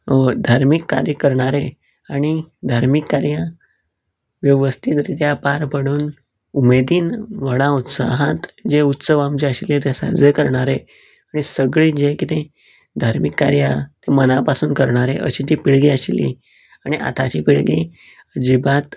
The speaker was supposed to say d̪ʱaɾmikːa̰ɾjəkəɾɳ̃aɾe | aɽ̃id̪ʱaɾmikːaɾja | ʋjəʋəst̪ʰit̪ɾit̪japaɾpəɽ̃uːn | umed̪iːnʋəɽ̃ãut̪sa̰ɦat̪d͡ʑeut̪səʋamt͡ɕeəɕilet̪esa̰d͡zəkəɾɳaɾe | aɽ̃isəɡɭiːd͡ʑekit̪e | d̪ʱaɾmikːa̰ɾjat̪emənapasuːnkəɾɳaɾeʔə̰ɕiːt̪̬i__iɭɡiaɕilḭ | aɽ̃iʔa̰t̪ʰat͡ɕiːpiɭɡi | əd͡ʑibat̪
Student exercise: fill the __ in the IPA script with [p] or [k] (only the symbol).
p